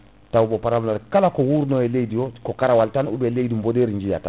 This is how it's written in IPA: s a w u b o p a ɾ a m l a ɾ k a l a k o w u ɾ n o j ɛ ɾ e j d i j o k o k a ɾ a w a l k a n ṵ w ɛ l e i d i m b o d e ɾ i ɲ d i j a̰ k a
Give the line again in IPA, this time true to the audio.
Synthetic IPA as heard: t a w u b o p a ɾ a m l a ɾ k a l a k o w u ɾ n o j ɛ l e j d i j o k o k a ɾ a w a l t a n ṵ b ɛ l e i d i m b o d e ɾ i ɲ d͡ʒ i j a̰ t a

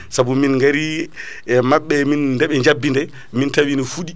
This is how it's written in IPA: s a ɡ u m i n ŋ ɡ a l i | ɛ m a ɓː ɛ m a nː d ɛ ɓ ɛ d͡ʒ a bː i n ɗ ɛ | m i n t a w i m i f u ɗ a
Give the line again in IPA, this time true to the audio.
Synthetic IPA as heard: s a b u m i n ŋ ɡ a ɾ i | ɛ m a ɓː ɛ m i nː d ɛ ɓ ɛ d͡ʒ a bː i n d ɛ | m i n t a w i n i f u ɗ i

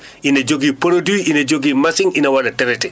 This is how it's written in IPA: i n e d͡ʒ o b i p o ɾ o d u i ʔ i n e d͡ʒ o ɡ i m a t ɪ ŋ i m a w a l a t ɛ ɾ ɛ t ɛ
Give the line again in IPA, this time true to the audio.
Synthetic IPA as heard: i n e d͡ʒ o ɡ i p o ɾ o d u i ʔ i n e d͡ʒ o ɡ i m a s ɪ ŋ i n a w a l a t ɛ ɾ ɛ t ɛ

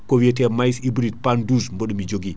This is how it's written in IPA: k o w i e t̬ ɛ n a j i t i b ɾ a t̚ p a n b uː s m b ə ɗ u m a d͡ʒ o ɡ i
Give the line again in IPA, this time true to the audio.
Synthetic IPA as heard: k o w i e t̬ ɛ m a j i s i b ɾ i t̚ p a n d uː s m b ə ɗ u m i d͡ʒ o ɡ i

